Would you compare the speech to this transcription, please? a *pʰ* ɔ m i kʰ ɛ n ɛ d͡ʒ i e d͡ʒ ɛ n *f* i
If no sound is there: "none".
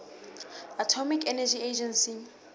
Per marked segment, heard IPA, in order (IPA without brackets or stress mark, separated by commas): tʰ, s